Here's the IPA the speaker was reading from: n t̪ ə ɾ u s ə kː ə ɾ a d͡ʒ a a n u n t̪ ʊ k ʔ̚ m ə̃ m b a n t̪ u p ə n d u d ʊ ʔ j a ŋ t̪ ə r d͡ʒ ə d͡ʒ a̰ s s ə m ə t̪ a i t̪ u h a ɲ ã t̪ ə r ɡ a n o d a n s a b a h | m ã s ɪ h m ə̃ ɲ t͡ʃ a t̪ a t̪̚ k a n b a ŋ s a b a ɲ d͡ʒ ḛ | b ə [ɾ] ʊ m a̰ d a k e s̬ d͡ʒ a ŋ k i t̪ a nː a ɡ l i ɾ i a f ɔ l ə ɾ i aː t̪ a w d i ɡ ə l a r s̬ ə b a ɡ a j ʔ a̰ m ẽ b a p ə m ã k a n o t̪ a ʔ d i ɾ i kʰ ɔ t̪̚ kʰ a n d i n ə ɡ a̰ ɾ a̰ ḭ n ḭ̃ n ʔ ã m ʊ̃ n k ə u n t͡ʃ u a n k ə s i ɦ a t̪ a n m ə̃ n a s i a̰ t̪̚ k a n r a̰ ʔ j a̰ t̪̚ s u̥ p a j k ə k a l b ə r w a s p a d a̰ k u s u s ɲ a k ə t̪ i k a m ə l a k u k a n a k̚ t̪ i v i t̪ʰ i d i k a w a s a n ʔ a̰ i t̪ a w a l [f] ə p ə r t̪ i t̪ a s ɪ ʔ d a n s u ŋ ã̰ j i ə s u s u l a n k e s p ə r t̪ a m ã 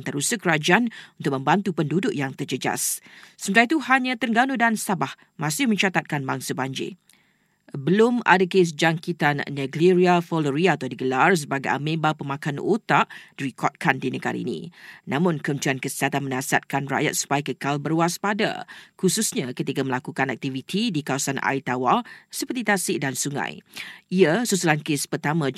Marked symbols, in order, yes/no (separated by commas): no, no